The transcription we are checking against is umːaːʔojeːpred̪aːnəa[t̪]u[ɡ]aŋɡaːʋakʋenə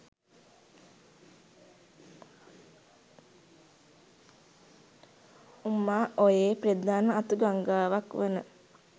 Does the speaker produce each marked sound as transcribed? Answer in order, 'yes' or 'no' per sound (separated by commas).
yes, yes